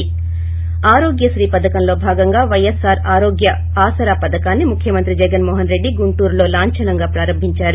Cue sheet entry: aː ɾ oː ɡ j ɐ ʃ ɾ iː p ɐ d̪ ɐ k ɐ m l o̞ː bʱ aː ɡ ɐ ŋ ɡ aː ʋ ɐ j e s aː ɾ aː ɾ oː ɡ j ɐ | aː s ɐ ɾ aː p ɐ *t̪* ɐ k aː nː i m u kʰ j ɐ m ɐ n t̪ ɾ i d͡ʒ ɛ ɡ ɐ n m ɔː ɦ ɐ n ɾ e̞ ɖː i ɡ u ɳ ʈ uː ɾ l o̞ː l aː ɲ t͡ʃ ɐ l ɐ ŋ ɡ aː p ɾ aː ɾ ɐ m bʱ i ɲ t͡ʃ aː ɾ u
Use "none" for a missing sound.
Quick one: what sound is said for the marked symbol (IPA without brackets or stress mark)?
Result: d̪